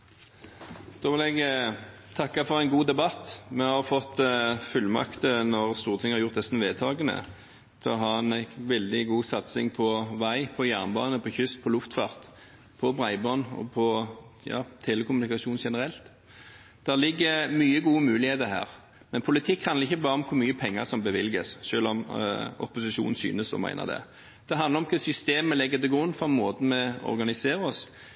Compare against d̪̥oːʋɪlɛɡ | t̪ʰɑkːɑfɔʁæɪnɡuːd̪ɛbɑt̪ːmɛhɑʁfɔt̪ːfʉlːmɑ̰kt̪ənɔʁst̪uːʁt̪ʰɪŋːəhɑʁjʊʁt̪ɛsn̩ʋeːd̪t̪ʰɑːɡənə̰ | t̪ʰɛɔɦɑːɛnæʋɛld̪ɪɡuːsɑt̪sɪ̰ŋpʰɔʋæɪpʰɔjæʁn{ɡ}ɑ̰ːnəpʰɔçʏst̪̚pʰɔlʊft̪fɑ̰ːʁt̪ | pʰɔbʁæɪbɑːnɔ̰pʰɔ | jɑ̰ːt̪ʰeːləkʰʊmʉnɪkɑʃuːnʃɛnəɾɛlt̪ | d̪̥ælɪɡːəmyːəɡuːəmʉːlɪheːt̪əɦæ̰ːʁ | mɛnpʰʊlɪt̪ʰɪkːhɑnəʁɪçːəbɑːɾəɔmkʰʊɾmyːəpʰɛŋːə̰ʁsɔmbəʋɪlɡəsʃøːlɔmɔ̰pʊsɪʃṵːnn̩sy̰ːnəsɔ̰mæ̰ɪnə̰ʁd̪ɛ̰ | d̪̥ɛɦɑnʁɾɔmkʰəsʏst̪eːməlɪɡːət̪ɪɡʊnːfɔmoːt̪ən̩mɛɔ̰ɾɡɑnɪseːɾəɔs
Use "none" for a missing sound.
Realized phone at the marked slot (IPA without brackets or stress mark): b